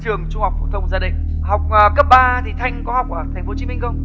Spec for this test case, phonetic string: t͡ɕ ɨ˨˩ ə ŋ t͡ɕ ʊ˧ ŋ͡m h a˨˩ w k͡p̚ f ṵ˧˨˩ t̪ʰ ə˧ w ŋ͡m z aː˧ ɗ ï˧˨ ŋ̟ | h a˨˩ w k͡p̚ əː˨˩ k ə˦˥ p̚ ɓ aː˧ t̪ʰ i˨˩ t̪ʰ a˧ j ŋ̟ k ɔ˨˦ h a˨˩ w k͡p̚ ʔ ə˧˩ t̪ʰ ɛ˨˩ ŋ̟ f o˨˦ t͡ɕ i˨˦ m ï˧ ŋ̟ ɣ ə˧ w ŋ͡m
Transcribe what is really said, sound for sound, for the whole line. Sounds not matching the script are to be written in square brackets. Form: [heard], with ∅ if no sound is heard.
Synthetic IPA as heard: t͡ɕ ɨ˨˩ ə ŋ t͡ɕ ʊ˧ ŋ͡m h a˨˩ w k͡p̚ f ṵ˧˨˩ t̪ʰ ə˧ w ŋ͡m z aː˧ ɗ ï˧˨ ŋ̟ | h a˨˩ w k͡p̚ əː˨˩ k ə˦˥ p̚ ɓ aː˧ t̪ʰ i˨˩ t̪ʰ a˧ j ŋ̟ k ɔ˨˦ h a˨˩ w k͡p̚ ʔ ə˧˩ t̪ʰ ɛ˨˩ ŋ̟ f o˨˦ t͡ɕ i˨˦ m ï˧ ŋ̟ [x] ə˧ w ŋ͡m